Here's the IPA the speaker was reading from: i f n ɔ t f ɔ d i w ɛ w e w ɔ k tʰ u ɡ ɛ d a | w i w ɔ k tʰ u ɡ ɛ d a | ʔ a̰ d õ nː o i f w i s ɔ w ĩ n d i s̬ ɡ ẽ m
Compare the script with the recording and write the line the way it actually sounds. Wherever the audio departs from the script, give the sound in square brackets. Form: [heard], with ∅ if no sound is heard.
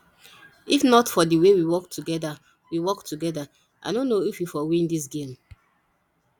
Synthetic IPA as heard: i f n ɔ t f ɔ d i w [e] w [i] w ɔ k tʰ u ɡ ɛ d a | w i w ɔ k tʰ u ɡ ɛ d a | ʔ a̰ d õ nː o i f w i [f] ɔ w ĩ n d i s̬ ɡ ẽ m